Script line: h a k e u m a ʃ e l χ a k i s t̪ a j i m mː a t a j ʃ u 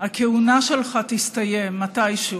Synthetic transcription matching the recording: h a k e u n a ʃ e l χ a t i s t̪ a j e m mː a t a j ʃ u